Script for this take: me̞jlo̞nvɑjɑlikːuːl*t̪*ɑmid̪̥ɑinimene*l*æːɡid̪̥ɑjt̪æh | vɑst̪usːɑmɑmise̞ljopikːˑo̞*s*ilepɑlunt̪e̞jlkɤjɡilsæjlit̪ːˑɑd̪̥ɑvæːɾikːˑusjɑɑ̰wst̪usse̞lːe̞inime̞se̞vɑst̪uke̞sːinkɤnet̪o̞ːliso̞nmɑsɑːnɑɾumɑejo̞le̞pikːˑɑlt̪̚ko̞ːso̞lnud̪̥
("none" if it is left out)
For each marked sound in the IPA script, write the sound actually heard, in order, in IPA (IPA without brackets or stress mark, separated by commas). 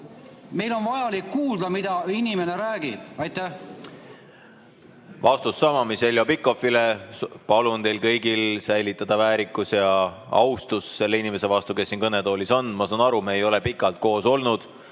d̪, ɾ, f